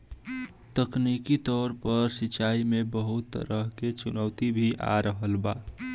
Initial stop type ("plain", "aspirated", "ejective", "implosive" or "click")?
plain